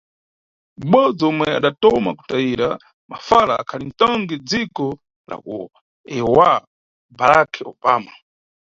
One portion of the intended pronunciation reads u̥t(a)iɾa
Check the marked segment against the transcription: correct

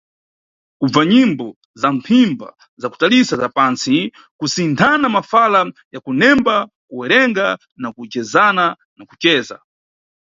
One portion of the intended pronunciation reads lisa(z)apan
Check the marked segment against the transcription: correct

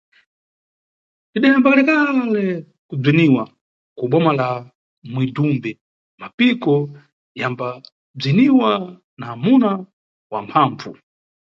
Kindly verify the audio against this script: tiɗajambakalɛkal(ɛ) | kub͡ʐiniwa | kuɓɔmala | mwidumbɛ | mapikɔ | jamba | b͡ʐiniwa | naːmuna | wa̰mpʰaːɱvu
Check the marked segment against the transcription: correct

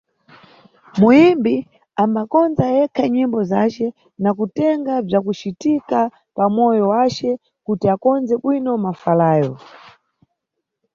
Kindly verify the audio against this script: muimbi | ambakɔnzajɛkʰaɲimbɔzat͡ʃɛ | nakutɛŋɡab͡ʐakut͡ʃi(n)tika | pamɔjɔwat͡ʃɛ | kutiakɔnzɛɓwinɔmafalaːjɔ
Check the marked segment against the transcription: incorrect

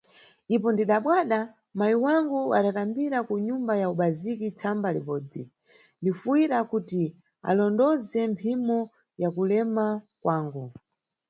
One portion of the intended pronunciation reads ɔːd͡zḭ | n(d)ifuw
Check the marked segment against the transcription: correct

